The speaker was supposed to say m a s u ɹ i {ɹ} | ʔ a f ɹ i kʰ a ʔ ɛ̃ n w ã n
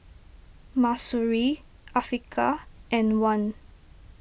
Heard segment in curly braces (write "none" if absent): none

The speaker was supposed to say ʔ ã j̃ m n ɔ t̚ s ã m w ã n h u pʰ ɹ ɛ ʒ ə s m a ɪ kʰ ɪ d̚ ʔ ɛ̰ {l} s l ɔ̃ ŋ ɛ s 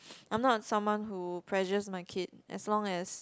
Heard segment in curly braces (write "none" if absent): none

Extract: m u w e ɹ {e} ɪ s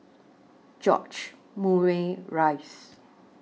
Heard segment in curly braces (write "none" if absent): a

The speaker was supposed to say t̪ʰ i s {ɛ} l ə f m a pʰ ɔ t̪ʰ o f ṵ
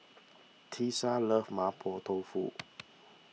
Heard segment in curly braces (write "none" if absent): a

